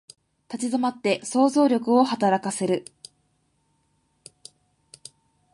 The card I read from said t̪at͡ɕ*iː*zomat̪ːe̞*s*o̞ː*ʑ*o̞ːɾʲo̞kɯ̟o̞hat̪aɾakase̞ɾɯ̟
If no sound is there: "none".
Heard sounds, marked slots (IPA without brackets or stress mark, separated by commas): i, s, z